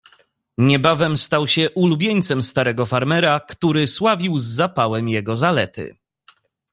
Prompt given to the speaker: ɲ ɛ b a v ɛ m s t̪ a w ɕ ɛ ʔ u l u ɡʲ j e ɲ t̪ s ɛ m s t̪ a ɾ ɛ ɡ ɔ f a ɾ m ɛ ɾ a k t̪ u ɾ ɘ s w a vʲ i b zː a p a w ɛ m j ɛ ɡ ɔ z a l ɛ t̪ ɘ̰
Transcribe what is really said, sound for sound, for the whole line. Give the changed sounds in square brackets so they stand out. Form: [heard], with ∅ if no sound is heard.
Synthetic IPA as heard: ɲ ɛ b a v ɛ m s t̪ a w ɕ ɛ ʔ u l u [bʲ] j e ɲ t̪ s ɛ m s t̪ a ɾ ɛ ɡ ɔ f a ɾ m ɛ ɾ a k t̪ u ɾ ɘ s w a vʲ i [w] zː a p a w ɛ m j ɛ ɡ ɔ z a l ɛ t̪ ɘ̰